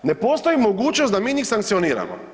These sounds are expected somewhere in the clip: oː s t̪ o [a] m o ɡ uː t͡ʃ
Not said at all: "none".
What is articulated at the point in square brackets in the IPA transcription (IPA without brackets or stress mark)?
i